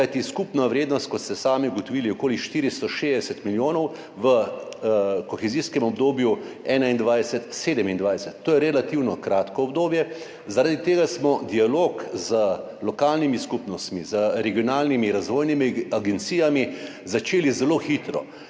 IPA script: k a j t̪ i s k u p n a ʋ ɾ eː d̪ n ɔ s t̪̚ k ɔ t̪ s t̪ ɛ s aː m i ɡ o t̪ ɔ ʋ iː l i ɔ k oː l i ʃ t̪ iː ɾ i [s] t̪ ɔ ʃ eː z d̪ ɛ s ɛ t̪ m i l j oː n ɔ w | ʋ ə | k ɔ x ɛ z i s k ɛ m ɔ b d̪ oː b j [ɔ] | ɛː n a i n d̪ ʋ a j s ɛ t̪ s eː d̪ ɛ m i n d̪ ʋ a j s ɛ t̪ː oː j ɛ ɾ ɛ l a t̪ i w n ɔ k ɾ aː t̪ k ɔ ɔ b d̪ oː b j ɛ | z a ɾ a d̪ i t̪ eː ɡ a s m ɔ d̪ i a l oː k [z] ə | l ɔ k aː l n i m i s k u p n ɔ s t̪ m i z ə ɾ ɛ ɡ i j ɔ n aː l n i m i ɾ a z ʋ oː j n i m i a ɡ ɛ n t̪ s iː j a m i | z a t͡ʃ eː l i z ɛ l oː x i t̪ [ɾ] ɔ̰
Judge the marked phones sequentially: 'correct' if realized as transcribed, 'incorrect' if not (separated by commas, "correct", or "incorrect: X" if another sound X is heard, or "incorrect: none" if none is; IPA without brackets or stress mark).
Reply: correct, incorrect: u, correct, correct